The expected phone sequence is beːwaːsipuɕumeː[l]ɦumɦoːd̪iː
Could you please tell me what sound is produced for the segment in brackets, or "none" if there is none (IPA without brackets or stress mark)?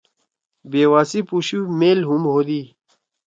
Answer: l